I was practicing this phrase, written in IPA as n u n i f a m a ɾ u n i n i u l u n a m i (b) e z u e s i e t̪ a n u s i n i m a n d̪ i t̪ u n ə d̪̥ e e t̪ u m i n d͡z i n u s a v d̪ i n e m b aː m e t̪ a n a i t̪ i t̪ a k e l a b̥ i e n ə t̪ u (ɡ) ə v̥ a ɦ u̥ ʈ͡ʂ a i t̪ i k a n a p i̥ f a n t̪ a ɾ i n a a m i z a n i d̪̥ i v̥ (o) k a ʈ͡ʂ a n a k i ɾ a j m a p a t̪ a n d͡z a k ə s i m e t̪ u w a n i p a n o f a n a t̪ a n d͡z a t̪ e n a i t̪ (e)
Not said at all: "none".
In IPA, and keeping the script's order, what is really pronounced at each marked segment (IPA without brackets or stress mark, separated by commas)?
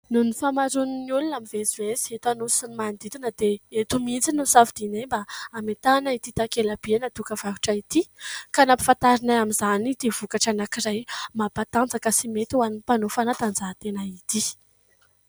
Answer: v, k, u, i